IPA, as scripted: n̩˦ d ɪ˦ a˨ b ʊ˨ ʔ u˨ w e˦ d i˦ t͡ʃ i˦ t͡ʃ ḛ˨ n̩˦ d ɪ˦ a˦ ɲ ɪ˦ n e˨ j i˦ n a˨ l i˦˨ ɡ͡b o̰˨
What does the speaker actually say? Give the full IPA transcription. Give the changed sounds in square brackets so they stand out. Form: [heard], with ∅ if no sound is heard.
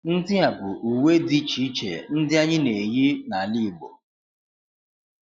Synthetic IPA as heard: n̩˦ d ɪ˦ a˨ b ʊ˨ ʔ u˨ w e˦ d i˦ t͡ʃ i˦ t͡ʃ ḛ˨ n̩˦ d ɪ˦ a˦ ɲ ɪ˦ n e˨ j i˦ n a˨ l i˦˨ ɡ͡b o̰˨